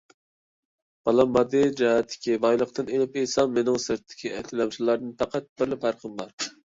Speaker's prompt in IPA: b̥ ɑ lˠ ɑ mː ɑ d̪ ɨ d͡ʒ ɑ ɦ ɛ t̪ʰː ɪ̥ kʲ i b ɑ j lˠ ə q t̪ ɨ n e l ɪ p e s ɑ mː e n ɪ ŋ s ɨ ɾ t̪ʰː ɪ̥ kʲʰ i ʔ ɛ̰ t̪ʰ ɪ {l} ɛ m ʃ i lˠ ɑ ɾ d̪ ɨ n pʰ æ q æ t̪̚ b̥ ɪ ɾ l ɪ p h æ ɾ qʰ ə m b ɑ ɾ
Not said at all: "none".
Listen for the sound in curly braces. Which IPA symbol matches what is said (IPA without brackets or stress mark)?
l